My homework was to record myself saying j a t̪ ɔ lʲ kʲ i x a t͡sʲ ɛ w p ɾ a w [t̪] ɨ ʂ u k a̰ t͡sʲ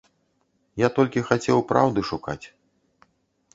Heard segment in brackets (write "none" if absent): d̪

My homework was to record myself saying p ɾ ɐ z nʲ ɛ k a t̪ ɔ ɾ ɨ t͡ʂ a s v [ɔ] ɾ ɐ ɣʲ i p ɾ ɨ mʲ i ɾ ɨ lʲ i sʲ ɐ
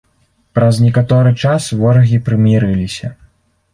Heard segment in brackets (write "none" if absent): ɔ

